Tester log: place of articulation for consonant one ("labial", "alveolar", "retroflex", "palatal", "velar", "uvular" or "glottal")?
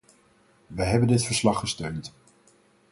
labial